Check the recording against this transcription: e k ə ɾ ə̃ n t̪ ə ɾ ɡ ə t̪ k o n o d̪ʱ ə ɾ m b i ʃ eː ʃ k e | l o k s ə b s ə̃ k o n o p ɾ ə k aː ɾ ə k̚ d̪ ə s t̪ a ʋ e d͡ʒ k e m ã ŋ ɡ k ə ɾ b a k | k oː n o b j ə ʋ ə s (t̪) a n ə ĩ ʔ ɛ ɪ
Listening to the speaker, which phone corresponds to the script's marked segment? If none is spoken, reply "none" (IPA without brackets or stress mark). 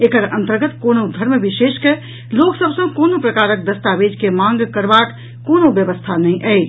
t̪ʰ